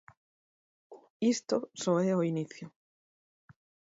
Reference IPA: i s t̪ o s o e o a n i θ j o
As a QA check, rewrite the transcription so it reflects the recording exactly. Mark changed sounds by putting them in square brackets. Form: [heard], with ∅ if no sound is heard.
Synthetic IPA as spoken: i s t̪ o s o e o [i] n i θ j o

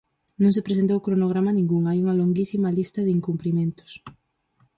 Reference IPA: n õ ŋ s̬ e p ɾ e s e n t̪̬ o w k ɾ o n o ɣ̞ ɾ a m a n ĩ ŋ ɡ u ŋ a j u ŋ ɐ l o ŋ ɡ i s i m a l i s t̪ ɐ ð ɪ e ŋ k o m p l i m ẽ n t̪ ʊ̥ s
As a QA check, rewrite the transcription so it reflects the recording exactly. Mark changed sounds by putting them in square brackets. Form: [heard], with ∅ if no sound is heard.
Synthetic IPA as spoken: n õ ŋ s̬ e p ɾ e s e n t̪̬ o w k ɾ o n o ɣ̞ ɾ a m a n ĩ ŋ ɡ u ŋ a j u ŋ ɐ l o ŋ ɡ i s i m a l i s t̪ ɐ ð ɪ [i] ŋ k [u] m p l i m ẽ n t̪ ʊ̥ s

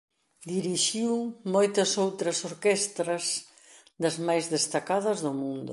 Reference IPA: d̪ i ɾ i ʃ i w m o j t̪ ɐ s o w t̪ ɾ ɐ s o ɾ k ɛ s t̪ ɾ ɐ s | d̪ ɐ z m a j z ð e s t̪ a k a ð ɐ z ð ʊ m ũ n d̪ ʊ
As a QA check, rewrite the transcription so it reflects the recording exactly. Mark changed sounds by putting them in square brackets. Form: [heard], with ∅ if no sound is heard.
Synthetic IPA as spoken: d̪ i ɾ i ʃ i w m o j t̪ ɐ s o w t̪ ɾ ɐ s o ɾ k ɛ s t̪ ɾ ɐ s | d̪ ɐ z m a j z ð e s t̪ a k a ð ɐ z ð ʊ m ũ n d̪ ʊ

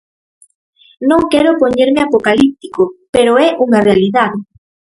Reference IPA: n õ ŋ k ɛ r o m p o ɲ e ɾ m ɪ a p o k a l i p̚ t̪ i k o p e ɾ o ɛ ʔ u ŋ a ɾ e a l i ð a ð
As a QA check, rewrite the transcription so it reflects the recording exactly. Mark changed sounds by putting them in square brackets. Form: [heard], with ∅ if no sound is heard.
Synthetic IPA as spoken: n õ ŋ k ɛ [ɾ] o [∅] p o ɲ e ɾ m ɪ a p o k a l i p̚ t̪ i k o p e ɾ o ɛ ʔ u ŋ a [r] e a l i ð a ð

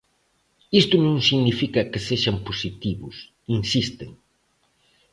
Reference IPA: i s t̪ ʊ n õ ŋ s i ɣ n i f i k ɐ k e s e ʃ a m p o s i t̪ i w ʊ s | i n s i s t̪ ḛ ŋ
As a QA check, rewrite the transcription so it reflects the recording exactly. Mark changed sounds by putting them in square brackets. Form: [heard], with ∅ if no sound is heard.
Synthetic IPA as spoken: i s t̪ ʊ n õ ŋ s i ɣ n i f i k ɐ k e s e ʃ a m p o s i t̪ i [β] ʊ s | i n s i s t̪ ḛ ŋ

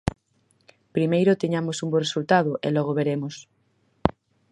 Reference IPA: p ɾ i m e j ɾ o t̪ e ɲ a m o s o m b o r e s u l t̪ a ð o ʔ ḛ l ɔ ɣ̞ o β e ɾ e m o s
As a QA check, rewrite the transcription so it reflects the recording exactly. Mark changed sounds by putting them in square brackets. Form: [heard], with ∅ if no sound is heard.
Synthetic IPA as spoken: p ɾ i m e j ɾ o t̪ e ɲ a m o s [u] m b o r e s u l t̪ a ð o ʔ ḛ l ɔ ɣ̞ o β e ɾ e m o s

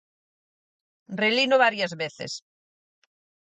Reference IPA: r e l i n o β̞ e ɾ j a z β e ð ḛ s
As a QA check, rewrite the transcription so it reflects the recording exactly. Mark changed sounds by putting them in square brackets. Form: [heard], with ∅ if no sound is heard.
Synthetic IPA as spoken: r e l i n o β̞ [a] ɾ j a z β e [θ] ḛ s

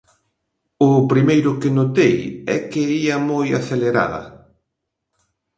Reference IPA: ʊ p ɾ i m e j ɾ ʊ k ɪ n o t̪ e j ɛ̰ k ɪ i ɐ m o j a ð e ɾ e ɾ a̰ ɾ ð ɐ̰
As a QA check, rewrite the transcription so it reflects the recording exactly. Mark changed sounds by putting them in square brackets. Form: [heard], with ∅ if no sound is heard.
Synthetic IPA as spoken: ʊ p ɾ i m e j ɾ ʊ k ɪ n o t̪ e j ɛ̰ k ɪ i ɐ m o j a [θ] e [l] e ɾ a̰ [∅] ð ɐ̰

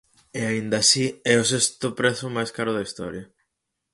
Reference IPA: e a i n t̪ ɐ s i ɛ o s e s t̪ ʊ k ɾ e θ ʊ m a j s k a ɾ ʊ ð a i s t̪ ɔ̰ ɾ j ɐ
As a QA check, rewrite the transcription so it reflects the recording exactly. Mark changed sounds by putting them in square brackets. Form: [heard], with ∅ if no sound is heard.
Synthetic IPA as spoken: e a i n [d̪] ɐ s i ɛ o s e s t̪ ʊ [p] ɾ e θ ʊ m a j s k a ɾ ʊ ð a i s t̪ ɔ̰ ɾ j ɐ

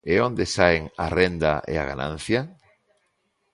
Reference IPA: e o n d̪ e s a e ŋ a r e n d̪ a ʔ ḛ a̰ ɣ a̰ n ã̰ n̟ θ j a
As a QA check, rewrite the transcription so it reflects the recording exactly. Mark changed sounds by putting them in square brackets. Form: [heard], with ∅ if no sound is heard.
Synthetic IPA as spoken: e o n d̪ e s a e ŋ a r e n d̪ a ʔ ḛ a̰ ɣ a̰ n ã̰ n̟ θ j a

